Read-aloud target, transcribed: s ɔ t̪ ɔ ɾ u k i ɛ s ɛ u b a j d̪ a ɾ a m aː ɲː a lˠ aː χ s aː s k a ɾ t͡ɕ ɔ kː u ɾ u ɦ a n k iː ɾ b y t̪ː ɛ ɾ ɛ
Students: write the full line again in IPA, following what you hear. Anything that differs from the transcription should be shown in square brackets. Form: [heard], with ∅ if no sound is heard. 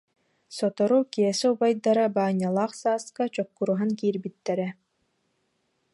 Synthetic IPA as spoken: s ɔ t̪ ɔ ɾ u k i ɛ s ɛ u b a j d̪ a ɾ a [b] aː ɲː a lˠ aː χ s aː s k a [∅] t͡ɕ ɔ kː u ɾ u ɦ a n k iː ɾ b [i] t̪ː ɛ ɾ ɛ